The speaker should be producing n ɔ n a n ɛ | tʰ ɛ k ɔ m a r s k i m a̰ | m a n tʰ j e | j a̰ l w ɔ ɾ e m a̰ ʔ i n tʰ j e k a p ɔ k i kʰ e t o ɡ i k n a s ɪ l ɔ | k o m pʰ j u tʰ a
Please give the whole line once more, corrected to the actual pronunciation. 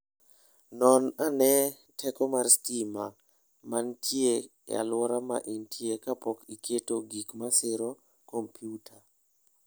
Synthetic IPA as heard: n ɔ n a n ɛ | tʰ ɛ k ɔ m a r s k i m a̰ | m a n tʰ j e | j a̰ l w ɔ ɾ a m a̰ ʔ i n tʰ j e k a p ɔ k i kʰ e t o ɡ i k m a s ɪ ɾ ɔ | k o m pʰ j u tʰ a